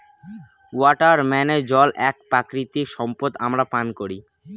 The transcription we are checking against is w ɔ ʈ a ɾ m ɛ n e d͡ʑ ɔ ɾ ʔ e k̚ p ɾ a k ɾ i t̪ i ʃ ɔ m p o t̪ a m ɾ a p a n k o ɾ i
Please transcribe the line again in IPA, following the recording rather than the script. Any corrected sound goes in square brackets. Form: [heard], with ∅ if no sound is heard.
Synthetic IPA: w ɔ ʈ a ɾ m ɛ n e d͡ʑ ɔ [l] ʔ [ɛ] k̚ p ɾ a k ɾ i t̪ i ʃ ɔ m p o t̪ a m ɾ a p a n k o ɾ i